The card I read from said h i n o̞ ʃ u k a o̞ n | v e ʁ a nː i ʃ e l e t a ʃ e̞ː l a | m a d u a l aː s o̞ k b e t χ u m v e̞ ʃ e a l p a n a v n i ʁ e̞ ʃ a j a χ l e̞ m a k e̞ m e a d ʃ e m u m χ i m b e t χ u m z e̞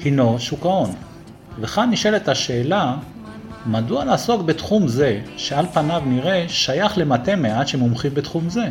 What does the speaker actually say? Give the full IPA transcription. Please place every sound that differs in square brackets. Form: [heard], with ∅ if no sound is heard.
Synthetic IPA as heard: h i n o̞ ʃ u k a o̞ n | v e [χ] a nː i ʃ e l e t a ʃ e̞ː l a | m a d u a l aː s o̞ k b e t χ u m [z] e̞ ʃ e a l p a n a v n i ʁ e̞ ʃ a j a χ l e̞ m a [t] e̞ m e a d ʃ e m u m χ i m b e t χ u m z e̞